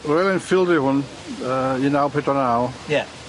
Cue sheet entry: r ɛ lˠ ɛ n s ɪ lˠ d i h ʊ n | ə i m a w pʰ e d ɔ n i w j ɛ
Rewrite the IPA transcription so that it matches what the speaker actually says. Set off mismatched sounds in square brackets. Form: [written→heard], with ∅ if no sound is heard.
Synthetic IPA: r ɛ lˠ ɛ n [s→f] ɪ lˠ d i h ʊ n | ə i [m→n] a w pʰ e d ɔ n [i→a] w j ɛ